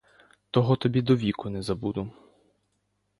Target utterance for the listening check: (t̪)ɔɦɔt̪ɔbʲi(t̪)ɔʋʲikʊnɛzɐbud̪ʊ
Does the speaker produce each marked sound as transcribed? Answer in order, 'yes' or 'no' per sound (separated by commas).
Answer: yes, no